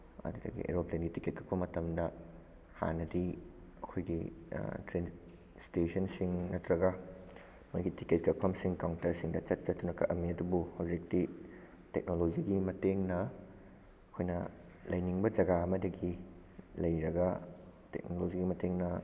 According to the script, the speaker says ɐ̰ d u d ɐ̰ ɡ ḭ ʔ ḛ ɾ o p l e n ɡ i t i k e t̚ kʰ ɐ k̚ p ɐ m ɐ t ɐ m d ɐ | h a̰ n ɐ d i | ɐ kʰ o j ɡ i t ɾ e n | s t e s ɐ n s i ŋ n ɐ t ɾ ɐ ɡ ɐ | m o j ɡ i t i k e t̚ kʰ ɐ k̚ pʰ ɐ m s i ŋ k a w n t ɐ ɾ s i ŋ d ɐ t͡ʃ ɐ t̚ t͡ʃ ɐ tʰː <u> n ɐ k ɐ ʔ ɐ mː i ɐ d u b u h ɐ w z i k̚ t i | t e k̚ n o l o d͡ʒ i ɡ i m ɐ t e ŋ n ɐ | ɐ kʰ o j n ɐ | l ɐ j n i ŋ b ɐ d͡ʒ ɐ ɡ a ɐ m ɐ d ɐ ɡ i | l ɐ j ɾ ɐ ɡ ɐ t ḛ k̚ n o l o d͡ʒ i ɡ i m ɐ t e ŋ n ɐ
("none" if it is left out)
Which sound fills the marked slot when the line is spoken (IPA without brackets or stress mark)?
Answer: u